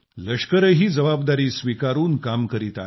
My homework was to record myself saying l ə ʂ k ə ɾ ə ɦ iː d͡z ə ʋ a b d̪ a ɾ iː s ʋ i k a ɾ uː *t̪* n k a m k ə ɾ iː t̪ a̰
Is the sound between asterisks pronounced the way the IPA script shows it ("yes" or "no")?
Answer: no